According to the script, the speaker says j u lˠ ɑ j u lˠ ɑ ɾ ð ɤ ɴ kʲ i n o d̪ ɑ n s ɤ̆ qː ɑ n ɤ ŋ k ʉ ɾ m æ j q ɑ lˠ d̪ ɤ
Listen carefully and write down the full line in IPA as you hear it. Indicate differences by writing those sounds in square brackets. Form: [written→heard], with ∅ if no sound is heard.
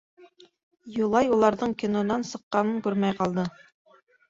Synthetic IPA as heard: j u lˠ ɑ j u lˠ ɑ ɾ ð ɤ ɴ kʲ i n o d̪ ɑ n s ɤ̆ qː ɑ n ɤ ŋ k ʉ ɾ m æ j q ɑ lˠ d̪ ɤ